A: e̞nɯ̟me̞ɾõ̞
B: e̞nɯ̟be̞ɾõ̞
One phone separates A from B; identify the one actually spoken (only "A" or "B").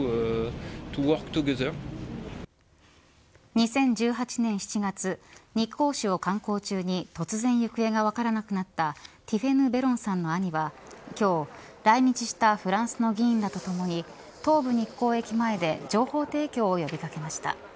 B